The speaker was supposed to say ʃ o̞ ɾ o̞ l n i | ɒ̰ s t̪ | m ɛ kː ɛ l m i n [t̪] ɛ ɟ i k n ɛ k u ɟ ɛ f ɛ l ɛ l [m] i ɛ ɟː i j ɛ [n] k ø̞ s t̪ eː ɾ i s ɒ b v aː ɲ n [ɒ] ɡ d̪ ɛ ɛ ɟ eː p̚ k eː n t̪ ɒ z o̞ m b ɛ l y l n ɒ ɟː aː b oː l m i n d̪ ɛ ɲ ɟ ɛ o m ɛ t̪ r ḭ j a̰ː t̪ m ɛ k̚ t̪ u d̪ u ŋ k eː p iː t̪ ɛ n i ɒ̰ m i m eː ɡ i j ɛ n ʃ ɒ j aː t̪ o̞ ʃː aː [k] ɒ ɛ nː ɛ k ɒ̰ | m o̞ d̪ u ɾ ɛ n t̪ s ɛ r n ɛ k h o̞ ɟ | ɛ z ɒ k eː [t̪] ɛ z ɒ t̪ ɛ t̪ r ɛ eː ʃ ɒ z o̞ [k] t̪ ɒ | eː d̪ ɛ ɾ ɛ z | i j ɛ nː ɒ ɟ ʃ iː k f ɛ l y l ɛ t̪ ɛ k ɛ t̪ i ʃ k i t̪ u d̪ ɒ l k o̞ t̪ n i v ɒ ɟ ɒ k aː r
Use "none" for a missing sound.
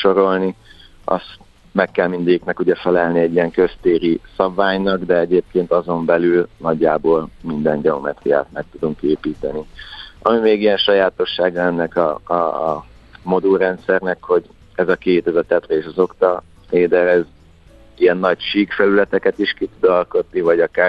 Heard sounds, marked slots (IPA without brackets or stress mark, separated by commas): d̪, n, ŋ, ɒ, ɡ, t̪, k